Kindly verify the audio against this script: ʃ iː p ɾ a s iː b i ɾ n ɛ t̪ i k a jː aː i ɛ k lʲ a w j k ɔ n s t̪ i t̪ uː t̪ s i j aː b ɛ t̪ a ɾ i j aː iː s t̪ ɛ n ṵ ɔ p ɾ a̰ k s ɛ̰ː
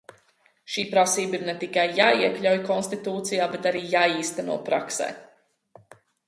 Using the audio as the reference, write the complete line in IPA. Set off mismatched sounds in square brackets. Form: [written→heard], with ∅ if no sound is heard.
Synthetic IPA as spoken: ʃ iː p ɾ a s iː b i ɾ n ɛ t̪ i k a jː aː i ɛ k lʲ a w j k ɔ n s t̪ i t̪ uː t̪ s i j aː b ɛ t̪ a ɾ [i→iː] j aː iː s t̪ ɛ n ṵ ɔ p ɾ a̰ k s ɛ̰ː